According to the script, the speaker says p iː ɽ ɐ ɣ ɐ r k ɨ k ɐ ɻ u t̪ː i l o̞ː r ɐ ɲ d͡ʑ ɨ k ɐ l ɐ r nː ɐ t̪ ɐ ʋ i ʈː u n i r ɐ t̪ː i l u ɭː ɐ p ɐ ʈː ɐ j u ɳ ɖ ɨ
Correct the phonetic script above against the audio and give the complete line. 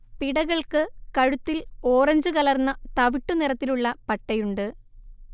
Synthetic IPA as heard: p i ɽ ɐ ɣ ɐ ɭ k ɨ k ɐ ɻ u t̪ː i l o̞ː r ɐ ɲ d͡ʑ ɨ k ɐ l ɐ r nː ɐ t̪ ɐ ʋ i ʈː u n i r ɐ t̪ː i l u ɭː ɐ p ɐ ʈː ɐ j u ɳ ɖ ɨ